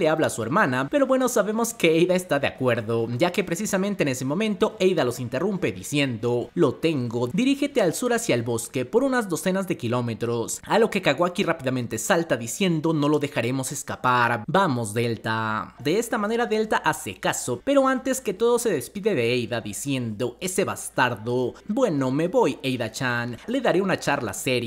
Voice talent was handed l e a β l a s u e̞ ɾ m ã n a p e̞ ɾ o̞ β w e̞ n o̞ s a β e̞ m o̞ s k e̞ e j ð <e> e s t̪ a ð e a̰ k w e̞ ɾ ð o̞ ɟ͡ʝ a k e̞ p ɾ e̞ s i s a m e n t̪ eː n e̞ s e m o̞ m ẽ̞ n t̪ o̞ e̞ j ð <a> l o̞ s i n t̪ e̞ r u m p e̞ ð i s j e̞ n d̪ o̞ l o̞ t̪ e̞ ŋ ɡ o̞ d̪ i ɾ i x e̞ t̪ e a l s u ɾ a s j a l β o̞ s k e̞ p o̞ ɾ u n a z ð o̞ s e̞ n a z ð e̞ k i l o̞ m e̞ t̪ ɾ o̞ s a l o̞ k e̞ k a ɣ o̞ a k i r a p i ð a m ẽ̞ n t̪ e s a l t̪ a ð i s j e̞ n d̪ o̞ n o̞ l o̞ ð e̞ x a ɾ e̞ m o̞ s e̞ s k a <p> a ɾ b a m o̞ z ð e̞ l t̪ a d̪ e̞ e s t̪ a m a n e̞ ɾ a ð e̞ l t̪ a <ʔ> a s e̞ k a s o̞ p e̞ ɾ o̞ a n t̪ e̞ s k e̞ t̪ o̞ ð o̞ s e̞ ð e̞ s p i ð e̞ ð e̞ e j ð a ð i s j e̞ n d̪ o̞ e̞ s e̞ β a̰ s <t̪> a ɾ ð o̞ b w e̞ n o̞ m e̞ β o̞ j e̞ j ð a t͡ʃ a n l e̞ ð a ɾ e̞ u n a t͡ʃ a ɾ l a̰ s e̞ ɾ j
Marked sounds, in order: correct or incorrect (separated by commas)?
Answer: incorrect, correct, correct, correct, correct